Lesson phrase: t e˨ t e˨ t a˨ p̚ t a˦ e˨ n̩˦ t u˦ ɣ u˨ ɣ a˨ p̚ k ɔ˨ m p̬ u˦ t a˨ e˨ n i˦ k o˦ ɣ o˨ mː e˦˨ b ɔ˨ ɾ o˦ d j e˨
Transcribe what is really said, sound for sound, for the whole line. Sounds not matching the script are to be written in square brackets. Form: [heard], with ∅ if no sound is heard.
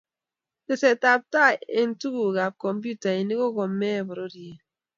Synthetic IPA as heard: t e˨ [s] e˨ t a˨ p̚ t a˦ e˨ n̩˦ t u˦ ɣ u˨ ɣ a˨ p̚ k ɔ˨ m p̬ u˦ t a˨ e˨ n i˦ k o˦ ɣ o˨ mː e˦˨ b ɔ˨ ɾ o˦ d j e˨